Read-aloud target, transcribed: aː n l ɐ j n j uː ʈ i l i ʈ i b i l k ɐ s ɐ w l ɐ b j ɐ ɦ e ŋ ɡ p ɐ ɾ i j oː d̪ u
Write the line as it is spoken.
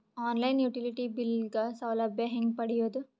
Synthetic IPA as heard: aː n l ɐ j n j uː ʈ i l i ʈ i b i l ɡ ɐ s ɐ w l ɐ b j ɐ ɦ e ŋ ɡ p ɐ ɽ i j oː d̪ u